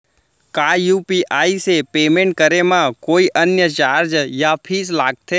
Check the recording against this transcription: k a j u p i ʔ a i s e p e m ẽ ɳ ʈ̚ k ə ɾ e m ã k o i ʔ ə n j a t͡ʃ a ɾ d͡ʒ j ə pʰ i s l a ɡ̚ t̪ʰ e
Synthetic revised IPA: k a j u p i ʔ a i s e p e m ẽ ɳ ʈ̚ k ə ɾ e m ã k o i ʔ ə n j ə t͡ʃ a ɾ d͡ʒ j a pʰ i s l a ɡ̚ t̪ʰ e